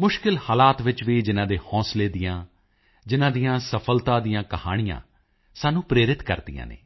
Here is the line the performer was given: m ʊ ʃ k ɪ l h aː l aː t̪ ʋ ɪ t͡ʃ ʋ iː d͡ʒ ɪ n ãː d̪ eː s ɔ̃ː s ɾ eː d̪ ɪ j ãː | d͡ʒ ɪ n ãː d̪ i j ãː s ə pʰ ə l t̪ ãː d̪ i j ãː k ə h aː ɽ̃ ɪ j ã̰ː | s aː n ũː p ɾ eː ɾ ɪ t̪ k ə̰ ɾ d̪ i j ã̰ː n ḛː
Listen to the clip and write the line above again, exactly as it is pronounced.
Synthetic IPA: m ʊ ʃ k ɪ l h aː l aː t̪ ʋ ɪ t͡ʃ ʋ iː d͡ʒ ɪ n ãː d̪ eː h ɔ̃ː s l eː d̪ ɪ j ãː | d͡ʒ ɪ n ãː d̪ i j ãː s ə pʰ ə l t̪ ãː d̪ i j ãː k ə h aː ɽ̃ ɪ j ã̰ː | s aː n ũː p ɾ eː ɾ ɪ t̪ k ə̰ ɾ d̪ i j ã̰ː n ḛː